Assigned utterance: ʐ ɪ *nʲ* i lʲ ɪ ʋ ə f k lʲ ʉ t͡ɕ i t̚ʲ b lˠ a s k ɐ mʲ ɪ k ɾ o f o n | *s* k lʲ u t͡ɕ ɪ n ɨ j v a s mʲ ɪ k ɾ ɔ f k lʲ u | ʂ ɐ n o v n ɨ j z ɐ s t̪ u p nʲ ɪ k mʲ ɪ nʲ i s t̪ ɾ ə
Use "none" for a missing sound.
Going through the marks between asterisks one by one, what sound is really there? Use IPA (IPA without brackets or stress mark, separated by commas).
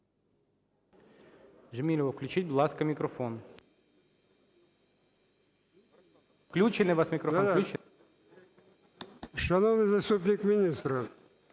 mʲ, f